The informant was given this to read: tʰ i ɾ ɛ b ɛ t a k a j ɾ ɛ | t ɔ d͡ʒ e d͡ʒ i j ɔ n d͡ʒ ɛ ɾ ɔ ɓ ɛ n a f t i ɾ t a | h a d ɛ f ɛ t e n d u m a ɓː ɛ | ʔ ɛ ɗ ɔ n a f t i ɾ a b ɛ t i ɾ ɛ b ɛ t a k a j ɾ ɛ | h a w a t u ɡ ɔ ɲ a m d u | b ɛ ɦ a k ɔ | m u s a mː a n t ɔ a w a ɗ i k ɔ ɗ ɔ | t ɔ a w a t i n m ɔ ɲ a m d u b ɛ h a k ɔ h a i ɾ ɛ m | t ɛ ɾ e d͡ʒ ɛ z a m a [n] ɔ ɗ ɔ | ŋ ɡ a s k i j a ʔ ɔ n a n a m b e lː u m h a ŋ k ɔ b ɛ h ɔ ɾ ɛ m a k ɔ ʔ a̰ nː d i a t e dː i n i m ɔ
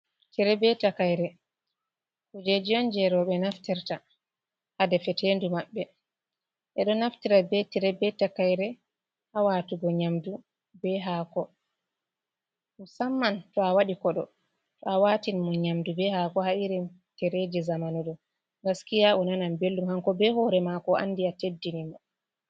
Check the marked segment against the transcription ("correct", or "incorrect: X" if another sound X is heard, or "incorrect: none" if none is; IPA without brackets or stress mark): correct